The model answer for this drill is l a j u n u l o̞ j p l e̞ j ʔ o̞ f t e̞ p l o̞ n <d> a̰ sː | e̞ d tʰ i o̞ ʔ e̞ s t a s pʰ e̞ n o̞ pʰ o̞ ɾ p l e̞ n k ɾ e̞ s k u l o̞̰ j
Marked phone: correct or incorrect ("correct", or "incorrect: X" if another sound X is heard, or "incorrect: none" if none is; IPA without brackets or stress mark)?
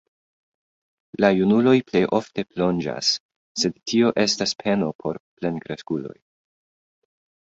incorrect: d͡ʒ